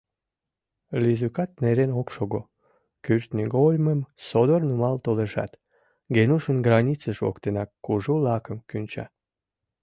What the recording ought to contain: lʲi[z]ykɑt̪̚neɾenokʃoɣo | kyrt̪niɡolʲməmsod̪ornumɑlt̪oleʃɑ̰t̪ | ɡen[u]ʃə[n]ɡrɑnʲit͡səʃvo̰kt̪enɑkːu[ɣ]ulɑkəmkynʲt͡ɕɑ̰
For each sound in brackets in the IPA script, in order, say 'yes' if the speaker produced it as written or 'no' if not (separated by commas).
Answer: yes, yes, yes, no